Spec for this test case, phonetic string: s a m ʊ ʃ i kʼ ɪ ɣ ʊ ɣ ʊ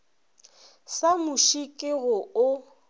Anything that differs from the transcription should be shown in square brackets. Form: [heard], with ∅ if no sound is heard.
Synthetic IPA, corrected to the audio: s a m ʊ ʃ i kʼ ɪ ɣ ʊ [∅] ʊ

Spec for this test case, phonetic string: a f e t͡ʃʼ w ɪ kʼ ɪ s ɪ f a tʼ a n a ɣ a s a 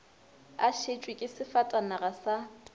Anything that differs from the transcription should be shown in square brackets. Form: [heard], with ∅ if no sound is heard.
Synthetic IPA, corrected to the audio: a [ʃ] e t͡ʃʼ w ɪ kʼ ɪ s ɪ f a tʼ a n a ɣ a s a

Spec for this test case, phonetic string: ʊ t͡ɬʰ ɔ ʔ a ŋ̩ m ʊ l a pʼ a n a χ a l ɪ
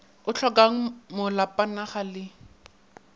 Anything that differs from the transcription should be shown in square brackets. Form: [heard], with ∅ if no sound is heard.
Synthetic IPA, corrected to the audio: ʊ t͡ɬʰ ɔ [k] a ŋ̩ m ʊ l a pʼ a n a χ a l ɪ

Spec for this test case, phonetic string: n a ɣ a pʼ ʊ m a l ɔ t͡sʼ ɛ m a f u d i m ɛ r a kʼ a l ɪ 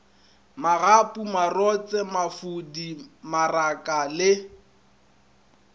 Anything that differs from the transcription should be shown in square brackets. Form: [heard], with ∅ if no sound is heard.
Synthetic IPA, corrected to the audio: [m] a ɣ a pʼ [u] m a [r] ɔ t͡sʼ ɛ m a f u d i m [a] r a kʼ a l ɪ

